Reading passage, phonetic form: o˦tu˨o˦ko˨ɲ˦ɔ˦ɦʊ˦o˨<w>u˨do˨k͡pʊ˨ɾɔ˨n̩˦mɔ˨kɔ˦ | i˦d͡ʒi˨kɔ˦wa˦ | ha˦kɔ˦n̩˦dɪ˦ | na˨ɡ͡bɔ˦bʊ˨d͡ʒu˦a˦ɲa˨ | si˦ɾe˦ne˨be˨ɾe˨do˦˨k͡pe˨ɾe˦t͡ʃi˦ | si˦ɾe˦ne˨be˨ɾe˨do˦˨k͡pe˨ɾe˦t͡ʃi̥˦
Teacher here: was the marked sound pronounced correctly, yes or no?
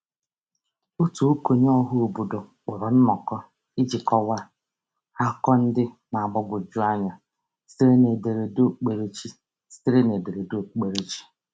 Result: no